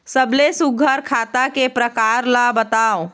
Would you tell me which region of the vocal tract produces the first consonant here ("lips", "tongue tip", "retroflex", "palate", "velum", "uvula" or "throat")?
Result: tongue tip